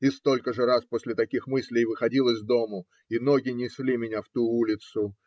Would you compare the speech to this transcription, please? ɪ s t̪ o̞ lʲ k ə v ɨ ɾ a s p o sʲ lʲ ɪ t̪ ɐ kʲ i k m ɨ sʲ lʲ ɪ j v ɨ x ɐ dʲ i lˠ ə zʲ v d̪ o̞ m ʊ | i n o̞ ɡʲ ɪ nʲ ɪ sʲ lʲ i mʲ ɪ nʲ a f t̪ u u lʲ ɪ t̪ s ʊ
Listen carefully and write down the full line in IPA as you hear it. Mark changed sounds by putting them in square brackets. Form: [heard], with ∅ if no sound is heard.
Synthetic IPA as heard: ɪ s t̪ o̞ lʲ k ə [ʐ] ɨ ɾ a s p o sʲ lʲ ɪ t̪ ɐ kʲ i [x] m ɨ sʲ lʲ ɪ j v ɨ x ɐ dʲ i lˠ ə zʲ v d̪ o̞ m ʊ | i n o̞ ɡʲ ɪ nʲ ɪ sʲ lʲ i mʲ ɪ nʲ a f t̪ u u lʲ ɪ t̪ s ʊ